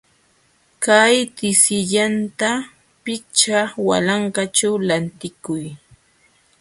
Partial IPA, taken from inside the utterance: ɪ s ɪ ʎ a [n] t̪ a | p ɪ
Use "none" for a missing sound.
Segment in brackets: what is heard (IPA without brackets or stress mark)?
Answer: n